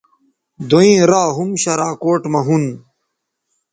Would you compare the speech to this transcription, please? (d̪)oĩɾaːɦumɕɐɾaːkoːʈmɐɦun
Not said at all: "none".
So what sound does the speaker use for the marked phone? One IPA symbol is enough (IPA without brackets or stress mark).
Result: d̪